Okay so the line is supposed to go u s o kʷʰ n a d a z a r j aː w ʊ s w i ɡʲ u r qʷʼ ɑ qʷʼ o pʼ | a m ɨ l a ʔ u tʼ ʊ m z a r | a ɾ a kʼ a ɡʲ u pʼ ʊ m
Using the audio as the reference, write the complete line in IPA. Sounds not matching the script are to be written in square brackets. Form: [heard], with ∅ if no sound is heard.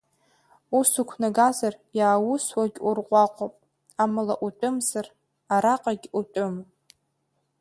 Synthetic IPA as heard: u s [u] kʷʰ n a [ɡ] a z a r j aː w ʊ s w [a] ɡʲ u r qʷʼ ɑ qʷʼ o pʼ | a m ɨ l a ʔ u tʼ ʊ m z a r | a ɾ a [qʼ] a ɡʲ u [tʼ] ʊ m